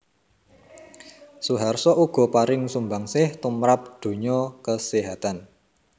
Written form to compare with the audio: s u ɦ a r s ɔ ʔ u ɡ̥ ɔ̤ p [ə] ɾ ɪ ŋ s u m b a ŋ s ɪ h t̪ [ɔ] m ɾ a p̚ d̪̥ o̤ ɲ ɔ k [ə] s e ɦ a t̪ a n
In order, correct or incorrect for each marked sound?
incorrect, incorrect, correct

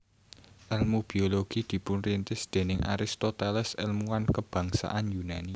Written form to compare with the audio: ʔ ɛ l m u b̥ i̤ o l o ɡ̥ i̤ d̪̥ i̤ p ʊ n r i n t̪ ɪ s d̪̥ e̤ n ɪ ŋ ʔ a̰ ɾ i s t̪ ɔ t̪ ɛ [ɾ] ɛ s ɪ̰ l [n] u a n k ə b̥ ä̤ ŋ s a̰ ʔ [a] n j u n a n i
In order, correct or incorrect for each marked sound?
incorrect, incorrect, correct

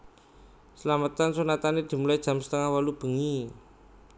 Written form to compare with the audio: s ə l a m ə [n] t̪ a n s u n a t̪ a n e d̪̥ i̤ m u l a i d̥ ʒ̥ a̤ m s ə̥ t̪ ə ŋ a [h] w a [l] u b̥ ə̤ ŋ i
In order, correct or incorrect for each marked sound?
incorrect, correct, correct

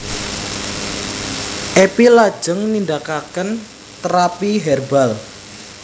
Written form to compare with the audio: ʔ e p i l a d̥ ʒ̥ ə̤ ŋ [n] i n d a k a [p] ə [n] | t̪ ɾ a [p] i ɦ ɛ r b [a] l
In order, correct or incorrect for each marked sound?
correct, incorrect, correct, correct, correct

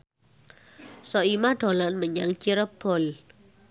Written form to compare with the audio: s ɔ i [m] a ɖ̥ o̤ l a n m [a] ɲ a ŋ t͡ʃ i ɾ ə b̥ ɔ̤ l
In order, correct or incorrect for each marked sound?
correct, incorrect

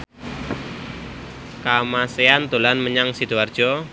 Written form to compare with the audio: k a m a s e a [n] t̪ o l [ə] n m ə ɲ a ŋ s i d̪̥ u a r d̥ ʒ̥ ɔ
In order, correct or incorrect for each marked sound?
correct, incorrect

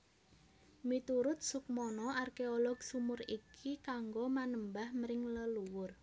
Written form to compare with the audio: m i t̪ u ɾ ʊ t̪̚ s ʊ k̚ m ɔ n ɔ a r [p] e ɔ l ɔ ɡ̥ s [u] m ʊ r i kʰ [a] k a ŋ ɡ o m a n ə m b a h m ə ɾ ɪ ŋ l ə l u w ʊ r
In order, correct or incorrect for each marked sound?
incorrect, correct, incorrect

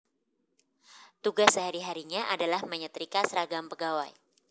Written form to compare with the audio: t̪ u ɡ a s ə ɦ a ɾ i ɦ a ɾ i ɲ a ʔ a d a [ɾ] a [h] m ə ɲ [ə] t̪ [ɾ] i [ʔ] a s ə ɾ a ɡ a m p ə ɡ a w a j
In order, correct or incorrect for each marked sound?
incorrect, correct, correct, correct, incorrect

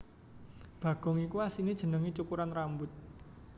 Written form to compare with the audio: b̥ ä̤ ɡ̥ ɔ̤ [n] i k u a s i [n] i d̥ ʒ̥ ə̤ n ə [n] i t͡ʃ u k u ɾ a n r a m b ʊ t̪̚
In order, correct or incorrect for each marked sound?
incorrect, correct, incorrect

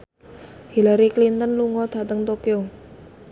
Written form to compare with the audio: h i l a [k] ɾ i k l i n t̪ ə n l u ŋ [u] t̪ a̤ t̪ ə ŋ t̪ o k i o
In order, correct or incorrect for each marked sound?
incorrect, incorrect

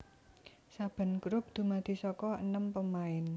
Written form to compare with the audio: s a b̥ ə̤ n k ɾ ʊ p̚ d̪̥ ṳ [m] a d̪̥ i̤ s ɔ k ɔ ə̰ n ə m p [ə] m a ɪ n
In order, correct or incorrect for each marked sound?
correct, correct

